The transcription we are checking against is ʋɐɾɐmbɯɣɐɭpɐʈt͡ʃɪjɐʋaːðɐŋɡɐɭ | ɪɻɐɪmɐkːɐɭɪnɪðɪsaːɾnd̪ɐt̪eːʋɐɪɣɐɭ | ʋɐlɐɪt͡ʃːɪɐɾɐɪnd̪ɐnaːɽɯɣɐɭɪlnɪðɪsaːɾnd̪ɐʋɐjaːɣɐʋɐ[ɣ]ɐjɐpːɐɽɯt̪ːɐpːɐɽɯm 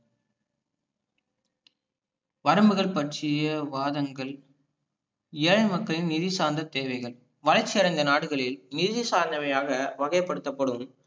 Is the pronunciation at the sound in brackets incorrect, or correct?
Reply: correct